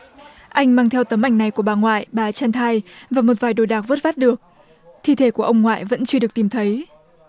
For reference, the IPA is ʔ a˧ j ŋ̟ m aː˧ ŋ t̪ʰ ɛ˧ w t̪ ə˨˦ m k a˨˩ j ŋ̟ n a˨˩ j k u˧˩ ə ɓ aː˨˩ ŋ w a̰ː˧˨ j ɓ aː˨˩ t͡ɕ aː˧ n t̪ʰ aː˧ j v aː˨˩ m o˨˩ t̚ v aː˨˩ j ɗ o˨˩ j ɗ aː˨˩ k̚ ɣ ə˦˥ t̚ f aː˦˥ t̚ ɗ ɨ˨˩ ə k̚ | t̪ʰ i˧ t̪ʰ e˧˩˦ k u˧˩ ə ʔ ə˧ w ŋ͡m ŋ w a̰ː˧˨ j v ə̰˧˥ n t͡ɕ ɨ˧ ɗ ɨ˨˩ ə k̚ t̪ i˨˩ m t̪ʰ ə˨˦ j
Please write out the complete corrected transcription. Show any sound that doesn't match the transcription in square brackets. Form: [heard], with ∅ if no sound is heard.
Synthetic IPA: ʔ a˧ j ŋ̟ m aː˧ ŋ t̪ʰ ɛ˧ w t̪ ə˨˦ m [ʔ] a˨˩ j ŋ̟ n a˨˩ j k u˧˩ ə ɓ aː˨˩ ŋ w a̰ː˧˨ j ɓ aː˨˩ t͡ɕ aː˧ n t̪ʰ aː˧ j v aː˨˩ m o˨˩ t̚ v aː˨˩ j ɗ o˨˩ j ɗ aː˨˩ k̚ [v] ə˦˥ t̚ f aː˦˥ t̚ ɗ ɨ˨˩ ə k̚ | t̪ʰ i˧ t̪ʰ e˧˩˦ k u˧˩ ə ʔ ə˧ w ŋ͡m ŋ w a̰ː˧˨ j v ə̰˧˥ n t͡ɕ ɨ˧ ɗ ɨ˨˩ ə k̚ t̪ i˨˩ m t̪ʰ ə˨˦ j